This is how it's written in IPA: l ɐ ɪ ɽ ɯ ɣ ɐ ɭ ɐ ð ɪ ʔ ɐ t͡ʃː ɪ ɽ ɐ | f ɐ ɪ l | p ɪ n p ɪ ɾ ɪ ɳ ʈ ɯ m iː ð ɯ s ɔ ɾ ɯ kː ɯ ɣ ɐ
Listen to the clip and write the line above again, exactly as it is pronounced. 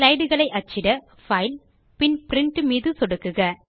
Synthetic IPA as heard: l ɐ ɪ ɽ ɯ ɣ ɐ ɭ ɐ ɪ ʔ ɐ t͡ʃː ɪ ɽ ɐ | f ɐ ɪ l | p ɪ n p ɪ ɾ ɪ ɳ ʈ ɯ m iː ð ɯ s ɔ ɽ ɯ kː ɯ ɣ ɐ